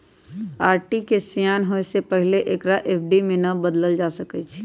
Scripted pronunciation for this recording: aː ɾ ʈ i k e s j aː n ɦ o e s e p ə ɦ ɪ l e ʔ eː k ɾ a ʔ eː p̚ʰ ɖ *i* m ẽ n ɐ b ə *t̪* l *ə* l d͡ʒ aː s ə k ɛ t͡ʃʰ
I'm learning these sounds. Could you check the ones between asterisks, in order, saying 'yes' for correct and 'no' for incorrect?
yes, no, yes

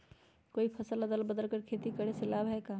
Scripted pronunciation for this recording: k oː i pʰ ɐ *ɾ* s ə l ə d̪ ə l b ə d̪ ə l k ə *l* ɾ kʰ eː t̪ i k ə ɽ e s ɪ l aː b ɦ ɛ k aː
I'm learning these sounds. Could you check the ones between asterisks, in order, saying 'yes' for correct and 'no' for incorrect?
no, no

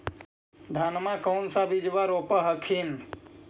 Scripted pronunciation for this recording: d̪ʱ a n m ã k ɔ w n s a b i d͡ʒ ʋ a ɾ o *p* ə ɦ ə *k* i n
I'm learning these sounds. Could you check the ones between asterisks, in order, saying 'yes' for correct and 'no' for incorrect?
yes, no

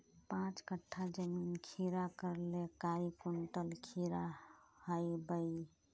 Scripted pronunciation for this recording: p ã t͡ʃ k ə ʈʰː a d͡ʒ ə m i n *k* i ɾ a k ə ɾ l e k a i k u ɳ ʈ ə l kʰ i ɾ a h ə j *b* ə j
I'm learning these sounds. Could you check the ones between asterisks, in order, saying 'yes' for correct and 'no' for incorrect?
no, yes

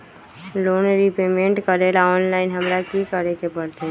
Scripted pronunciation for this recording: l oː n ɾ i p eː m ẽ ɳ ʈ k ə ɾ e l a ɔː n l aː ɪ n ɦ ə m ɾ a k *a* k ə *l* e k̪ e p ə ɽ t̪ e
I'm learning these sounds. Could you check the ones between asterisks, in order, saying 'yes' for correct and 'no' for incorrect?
no, no

